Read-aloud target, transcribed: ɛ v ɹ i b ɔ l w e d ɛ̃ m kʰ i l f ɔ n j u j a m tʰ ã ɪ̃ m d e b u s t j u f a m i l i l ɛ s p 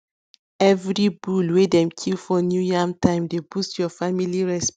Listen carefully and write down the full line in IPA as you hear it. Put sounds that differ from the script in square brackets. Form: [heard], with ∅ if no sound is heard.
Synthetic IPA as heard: ɛ v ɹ i b [u] l w e d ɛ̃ m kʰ i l f ɔ n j u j a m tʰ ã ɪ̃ m d e b u s t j [ɔ] f a m i l i [ɹ] ɛ s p